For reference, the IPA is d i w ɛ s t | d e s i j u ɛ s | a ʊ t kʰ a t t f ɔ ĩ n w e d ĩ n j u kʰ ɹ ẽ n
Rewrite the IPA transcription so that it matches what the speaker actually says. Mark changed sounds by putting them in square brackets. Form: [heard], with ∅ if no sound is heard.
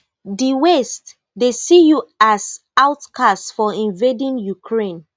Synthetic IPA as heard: d i w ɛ s t | d e s i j u [a] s | a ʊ t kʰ a [s] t f ɔ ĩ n [v] e d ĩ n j u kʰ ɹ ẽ n